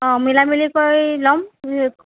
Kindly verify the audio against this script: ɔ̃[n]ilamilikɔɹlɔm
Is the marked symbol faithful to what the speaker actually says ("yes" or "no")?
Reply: no